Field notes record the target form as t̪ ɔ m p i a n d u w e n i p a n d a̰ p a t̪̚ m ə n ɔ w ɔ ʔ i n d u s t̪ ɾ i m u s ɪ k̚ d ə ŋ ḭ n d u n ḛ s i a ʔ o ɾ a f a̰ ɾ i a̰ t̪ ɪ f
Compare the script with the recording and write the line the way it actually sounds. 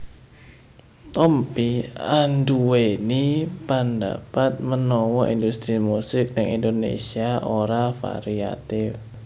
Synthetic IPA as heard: t̪ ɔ m p i a n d u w e n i p a n d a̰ p a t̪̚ m ə n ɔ w ɔ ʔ i n d u s t̪ ɾ i m u s ɪ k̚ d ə ŋ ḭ n d o n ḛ s i a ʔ o ɾ a f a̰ ɾ i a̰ t̪ ɪ f

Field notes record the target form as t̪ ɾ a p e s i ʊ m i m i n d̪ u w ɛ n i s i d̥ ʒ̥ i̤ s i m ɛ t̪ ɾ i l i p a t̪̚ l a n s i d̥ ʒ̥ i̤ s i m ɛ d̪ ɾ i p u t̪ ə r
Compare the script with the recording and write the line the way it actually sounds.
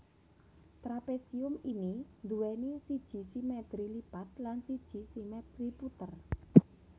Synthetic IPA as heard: t̪ ɾ a p e s i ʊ m i n i n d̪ u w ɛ n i s i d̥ ʒ̥ i̤ s i m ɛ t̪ ɾ i l i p a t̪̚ l a n s i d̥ ʒ̥ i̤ s i m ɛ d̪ ɾ i p u t̪ ə r

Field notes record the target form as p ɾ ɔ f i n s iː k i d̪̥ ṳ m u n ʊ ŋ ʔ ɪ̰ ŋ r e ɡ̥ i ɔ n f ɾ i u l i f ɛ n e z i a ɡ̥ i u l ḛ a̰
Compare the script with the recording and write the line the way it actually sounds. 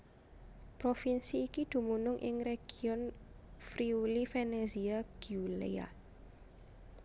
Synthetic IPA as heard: p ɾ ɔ f i n s iː k i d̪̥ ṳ m u n ʊ ŋ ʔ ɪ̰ ŋ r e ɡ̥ i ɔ n f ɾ i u l i f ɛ n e z i a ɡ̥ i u l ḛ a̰

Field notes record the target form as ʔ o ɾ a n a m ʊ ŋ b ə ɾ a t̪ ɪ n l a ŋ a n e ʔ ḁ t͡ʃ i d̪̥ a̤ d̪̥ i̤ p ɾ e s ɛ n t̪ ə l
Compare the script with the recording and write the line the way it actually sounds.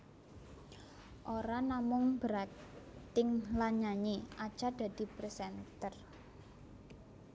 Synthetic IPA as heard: ʔ o ɾ a n a m ʊ ŋ b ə ɾ a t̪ ɪ ŋ l a ɲ a ɲ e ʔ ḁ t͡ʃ a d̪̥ a̤ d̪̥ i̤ p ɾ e s ɛ n t̪ ə r

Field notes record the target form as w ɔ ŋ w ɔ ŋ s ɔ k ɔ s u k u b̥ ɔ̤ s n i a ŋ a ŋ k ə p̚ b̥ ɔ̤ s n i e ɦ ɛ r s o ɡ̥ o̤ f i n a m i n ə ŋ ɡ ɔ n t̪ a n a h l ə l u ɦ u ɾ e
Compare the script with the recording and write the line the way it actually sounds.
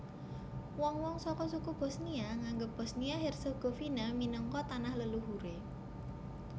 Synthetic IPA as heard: w ɔ ŋ w ɔ ŋ s ɔ k ɔ s u k u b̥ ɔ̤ s n i a ŋ a ŋ ɡ ə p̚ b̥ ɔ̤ s n i a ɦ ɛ r s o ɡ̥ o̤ f i n a m i n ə ŋ k ɔ t̪ a n a h l ə l u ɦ u ɾ e

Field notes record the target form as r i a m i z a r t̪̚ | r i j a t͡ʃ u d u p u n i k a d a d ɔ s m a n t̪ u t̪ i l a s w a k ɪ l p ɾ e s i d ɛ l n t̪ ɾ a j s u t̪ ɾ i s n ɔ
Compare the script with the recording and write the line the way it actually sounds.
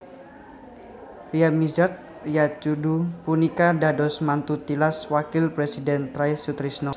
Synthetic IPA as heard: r i a m i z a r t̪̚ | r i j a t͡ʃ u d u p u n i k a d a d ɔ s m a n t̪ u t̪ i l a s w a k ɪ l p ɾ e s i d ɛ n t̪ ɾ a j s u t̪ ɾ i s n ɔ

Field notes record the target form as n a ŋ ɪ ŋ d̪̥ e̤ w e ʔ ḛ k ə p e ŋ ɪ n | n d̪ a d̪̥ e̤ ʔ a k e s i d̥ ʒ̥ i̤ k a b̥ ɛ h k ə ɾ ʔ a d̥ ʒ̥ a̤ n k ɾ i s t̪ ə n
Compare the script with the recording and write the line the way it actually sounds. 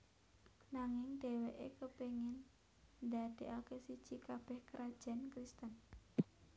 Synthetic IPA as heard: n a ŋ ɪ ŋ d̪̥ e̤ w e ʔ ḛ k ə p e ŋ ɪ n | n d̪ a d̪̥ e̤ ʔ a k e s i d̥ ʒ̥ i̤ k a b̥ ɛ h k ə ɾ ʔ a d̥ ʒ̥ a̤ n k ɾ i s t̪ ə n

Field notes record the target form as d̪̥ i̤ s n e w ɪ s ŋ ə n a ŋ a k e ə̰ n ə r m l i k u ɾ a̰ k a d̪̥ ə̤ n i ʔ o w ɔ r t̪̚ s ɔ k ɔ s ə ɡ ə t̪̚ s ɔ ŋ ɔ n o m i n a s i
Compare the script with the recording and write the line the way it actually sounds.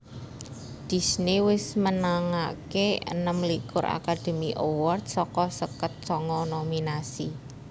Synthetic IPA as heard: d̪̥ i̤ s n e w ɪ s m ə n a ŋ a k e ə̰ n ə m l i k ʊ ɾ a̰ k a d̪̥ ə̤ m i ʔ o w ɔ r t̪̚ s ɔ k ɔ s ə k ə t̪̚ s ɔ ŋ ɔ n o m i n a s i

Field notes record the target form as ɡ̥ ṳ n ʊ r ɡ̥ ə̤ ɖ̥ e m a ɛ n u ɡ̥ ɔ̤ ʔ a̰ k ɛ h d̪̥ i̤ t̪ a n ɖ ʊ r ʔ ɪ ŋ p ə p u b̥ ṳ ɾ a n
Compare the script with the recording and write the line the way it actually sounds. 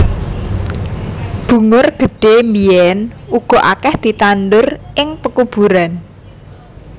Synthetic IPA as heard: b̥ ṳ ŋ ʊ r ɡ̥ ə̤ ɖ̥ e m i ɛ n u ɡ̥ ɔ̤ ʔ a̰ k ɛ h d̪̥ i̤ t̪ a n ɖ ʊ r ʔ ɪ ŋ p ə k u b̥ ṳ ɾ a n

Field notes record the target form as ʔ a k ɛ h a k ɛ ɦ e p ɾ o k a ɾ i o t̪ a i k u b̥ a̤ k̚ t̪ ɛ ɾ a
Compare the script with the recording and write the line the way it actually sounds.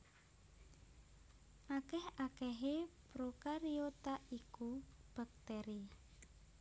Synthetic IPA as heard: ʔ a k ɛ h a k ɛ ɦ e p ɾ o k a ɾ i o t̪ a i k u b̥ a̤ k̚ t̪ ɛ ɾ i

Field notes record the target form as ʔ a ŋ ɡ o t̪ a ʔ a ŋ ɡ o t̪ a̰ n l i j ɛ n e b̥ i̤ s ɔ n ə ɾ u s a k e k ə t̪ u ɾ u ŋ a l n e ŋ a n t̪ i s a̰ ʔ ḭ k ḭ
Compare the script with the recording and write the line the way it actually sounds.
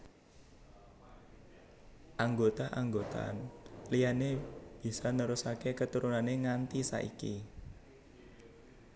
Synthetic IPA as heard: ʔ a ŋ ɡ o t̪ a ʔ a ŋ ɡ o t̪ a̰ n l i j a n e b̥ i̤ s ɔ n ə ɾ u s a k e k ə t̪ u ɾ u n a n e ŋ a n t̪ i s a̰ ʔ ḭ k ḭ

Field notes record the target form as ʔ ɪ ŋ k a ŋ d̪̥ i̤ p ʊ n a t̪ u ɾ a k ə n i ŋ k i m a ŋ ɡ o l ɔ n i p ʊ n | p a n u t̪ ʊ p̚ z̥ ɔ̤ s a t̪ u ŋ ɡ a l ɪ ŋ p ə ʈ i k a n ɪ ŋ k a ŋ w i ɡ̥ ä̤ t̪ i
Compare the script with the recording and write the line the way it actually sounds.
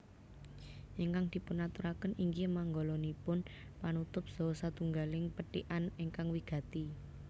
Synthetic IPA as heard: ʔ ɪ ŋ k a ŋ d̪̥ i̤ p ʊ n a t̪ u ɾ a k ə n i ŋ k i m a ŋ ɡ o l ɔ n i p ʊ n | p a n u t̪ ʊ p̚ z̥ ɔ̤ s a t̪ u ŋ ɡ a l ɪ ŋ p ə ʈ i ʔ a n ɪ ŋ k a ŋ w i ɡ̥ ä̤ t̪ i

